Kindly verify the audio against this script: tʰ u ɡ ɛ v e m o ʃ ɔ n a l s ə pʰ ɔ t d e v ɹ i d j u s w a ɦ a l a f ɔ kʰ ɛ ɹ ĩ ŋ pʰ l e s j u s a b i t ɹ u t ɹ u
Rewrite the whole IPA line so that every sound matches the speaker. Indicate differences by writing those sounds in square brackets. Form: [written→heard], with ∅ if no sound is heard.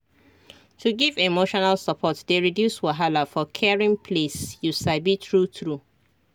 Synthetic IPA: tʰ u ɡ [ɛ→i] v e m o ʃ ɔ n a l s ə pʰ ɔ t d e [v→∅] ɹ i d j u s w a ɦ a l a f ɔ kʰ ɛ ɹ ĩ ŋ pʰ l e s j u s a b i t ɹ u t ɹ u